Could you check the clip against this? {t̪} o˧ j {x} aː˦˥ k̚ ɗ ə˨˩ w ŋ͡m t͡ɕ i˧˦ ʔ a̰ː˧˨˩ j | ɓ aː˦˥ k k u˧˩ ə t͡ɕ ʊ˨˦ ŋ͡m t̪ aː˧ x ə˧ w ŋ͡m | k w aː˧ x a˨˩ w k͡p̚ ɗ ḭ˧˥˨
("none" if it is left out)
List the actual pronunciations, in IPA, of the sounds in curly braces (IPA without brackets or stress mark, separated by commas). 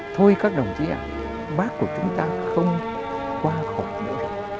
t̪ʰ, k